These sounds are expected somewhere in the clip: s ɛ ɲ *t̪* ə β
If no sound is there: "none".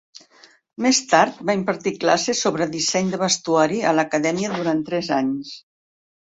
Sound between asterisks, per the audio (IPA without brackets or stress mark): d̪